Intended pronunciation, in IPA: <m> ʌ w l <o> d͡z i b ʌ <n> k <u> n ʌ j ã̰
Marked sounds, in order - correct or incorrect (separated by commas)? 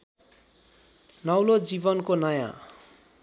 incorrect, correct, correct, incorrect